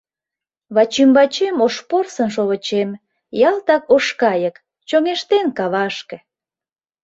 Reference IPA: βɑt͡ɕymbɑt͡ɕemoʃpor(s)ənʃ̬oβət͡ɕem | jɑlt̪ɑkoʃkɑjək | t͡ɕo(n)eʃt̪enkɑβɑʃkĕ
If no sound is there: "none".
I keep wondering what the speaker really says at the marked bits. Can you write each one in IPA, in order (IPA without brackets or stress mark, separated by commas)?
s, ŋ